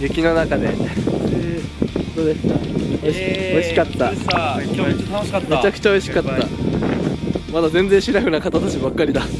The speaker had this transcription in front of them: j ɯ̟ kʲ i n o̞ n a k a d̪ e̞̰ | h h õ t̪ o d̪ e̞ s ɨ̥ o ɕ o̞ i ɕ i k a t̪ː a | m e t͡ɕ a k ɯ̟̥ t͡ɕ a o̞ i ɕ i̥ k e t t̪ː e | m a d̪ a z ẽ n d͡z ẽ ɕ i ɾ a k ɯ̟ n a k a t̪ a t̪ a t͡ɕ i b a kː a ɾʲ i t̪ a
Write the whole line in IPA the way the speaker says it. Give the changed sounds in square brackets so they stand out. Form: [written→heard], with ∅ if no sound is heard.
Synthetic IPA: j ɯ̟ kʲ i n o̞ n a k a d̪ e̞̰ | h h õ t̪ o d̪ e̞ s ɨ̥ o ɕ o̞ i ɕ i k a t̪ː a | m e t͡ɕ a k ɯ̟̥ t͡ɕ a o̞ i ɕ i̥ k [e→a] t t̪ː [e→a] | m a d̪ a z ẽ n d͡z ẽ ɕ i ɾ a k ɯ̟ n a k a t̪ a t̪ a t͡ɕ i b a kː a ɾʲ i [t̪→d̪] a

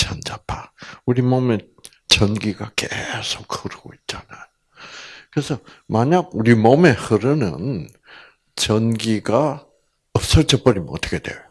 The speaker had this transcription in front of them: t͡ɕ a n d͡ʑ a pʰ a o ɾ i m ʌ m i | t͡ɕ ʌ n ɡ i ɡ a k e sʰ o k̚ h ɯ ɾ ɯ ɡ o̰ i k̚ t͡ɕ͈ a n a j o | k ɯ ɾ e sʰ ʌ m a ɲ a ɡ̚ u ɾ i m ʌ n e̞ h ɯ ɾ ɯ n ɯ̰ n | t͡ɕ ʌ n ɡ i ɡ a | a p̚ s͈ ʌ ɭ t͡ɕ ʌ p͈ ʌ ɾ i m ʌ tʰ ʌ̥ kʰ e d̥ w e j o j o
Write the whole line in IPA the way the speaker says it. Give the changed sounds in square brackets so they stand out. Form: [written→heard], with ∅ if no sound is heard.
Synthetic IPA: t͡ɕ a n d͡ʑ a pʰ a [o→u] ɾ i m ʌ m [i→e] | t͡ɕ ʌ n ɡ i ɡ a k e sʰ o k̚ h ɯ ɾ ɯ ɡ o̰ i [k̚→t̚] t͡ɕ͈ a n a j o | k ɯ ɾ e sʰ ʌ m a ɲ a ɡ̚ u ɾ i m ʌ [n→m] e̞ h ɯ ɾ ɯ n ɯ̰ n | t͡ɕ ʌ n ɡ i ɡ a | [a→ʌ] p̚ s͈ ʌ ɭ t͡ɕ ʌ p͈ ʌ ɾ i m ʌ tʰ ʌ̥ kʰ e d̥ w e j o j o

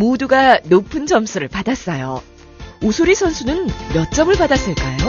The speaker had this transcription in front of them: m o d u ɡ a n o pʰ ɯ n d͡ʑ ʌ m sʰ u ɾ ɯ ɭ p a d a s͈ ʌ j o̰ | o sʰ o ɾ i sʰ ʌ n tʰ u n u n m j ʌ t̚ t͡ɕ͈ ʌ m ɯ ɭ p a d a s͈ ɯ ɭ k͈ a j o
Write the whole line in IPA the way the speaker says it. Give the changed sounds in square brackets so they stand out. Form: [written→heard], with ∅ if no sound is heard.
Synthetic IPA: m o d u ɡ a n o pʰ ɯ n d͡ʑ ʌ m sʰ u ɾ ɯ ɭ p a d a s͈ ʌ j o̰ | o sʰ o ɾ i sʰ ʌ n [tʰ→sʰ] u n [u→ɯ] n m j ʌ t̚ t͡ɕ͈ ʌ m ɯ ɭ p a d a s͈ ɯ ɭ k͈ a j o

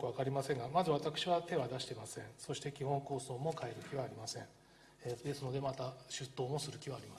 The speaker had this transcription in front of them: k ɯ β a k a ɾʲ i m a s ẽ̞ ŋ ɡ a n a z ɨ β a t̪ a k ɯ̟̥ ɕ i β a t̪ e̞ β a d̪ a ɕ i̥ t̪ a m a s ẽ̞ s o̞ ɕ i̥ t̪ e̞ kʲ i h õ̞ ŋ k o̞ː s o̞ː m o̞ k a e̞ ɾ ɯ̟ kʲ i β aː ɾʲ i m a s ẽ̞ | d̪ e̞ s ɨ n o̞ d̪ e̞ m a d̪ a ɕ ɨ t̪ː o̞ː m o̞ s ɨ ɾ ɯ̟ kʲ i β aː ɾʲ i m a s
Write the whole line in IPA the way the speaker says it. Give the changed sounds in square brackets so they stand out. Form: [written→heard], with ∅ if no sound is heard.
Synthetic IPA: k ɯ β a k a ɾʲ i m a s ẽ̞ ŋ ɡ a [n→m] a z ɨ β a t̪ a k ɯ̟̥ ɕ i β a t̪ e̞ β a d̪ a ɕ i̥ t̪ [a→e] m a s ẽ̞ s o̞ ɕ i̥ t̪ e̞ kʲ i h õ̞ ŋ k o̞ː s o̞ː m o̞ k a e̞ ɾ ɯ̟ kʲ i β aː ɾʲ i m a s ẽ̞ | d̪ e̞ s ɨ n o̞ d̪ e̞ m a [d̪→t̪] a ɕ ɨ t̪ː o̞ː m o̞ s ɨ ɾ ɯ̟ kʲ i β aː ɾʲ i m a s

